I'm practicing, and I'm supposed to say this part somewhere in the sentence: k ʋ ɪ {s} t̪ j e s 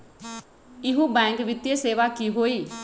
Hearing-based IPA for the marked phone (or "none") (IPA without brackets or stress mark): none